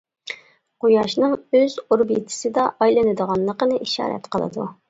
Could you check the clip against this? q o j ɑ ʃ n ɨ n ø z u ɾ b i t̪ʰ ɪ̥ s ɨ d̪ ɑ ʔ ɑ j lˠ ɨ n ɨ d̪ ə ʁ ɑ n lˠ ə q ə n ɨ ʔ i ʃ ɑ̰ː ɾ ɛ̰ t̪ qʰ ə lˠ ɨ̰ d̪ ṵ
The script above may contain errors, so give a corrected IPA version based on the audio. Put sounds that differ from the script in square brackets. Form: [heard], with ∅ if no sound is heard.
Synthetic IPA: q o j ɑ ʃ n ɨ [ŋ] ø z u ɾ b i t̪ʰ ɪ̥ s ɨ d̪ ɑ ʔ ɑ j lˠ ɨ n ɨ d̪ ə ʁ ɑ n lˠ ə q ə n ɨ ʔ i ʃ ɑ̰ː ɾ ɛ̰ t̪ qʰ ə lˠ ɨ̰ d̪ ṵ